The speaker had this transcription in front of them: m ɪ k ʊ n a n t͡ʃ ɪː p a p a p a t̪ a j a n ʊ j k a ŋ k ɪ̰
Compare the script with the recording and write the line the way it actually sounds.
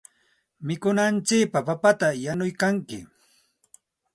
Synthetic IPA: m ɪ k ʊ n a n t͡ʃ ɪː p a p a p a t̪ a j a n ʊ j k a ŋ k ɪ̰